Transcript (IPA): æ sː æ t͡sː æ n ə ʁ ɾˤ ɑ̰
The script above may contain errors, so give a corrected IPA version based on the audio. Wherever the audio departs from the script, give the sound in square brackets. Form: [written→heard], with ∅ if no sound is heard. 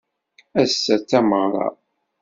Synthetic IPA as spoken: æ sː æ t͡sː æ [n→m] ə ʁ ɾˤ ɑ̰